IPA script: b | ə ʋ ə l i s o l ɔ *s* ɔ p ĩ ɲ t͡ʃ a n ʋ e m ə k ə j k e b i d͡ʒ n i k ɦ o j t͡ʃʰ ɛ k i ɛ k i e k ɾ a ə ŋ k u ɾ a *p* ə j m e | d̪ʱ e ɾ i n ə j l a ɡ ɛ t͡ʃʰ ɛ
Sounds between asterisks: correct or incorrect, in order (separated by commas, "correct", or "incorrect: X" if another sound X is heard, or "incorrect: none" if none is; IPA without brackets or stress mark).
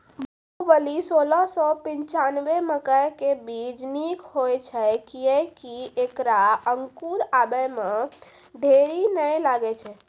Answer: correct, incorrect: b